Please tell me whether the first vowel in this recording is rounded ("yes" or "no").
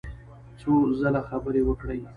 yes